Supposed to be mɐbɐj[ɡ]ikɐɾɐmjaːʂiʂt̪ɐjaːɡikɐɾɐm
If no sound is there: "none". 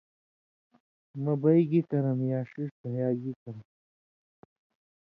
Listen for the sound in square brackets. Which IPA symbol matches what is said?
ɡ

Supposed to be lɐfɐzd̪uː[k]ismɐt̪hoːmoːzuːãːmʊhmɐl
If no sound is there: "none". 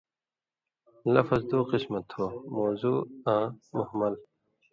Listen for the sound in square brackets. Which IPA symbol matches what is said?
q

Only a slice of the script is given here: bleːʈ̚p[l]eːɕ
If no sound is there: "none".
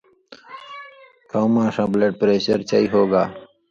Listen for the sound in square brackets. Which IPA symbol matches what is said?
ɾ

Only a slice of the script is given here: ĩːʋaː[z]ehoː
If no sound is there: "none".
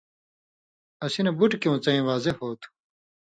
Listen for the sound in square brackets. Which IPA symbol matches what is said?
z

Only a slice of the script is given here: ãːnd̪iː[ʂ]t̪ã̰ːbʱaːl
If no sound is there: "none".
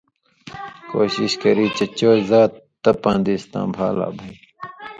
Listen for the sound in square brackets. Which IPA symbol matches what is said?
s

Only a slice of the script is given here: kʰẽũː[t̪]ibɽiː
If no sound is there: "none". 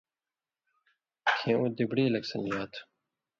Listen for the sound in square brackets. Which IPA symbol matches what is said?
d̪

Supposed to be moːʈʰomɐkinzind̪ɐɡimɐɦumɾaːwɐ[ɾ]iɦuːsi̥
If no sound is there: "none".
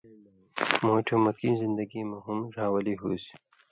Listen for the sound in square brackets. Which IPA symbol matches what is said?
l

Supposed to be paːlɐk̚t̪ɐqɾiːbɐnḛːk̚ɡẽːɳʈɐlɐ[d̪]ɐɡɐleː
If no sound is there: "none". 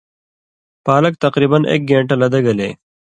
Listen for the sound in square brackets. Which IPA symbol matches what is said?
d̪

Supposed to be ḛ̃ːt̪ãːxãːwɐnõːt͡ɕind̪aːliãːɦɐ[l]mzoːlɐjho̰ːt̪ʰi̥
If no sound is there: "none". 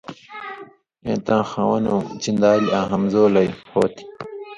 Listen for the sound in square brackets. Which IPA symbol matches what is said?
none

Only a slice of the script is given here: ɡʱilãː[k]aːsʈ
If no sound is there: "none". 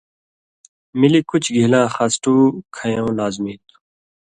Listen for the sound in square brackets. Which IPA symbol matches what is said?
x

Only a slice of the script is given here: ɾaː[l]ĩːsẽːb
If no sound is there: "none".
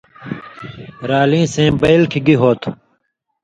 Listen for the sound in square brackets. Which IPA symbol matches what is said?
l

